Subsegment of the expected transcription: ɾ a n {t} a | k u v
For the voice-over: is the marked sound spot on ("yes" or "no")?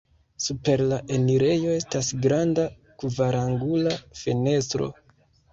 no